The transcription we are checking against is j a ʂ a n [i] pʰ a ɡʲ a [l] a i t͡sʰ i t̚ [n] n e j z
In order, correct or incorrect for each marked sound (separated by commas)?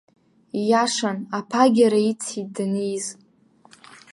incorrect, incorrect, incorrect